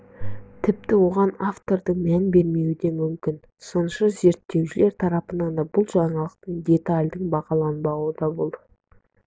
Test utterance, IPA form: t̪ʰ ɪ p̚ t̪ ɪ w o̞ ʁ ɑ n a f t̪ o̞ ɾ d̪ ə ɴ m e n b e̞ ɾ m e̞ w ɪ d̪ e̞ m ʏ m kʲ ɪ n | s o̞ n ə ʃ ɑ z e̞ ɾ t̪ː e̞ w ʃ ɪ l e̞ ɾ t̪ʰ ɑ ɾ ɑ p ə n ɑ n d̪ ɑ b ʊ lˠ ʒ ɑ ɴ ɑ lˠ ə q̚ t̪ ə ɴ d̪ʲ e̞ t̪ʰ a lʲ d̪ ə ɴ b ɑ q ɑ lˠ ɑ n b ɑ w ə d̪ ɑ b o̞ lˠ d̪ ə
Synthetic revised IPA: t̪ʰ ɪ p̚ t̪ ɪ w o̞ ʁ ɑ n a f t̪ o̞ ɾ d̪ ə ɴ m æ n b e̞ ɾ m e̞ w ɪ d̪ e̞ m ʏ m kʲ ɪ n | s o̞ n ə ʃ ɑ z e̞ ɾ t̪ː e̞ w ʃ ɪ l e̞ ɾ t̪ʰ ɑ ɾ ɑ p ə n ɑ n d̪ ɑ b ʊ lˠ ʒ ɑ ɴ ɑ lˠ ə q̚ t̪ ə ɴ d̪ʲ e̞ t̪ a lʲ d̪ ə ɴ b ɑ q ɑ lˠ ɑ n b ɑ w ə d̪ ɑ b o̞ lˠ d̪ ə